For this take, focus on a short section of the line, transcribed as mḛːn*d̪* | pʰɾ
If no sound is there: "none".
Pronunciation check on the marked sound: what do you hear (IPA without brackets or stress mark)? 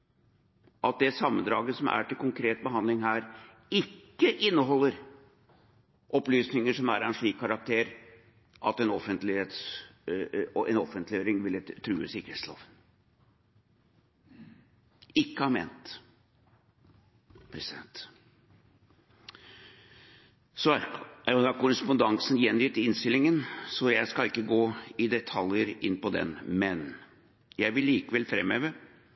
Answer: t̪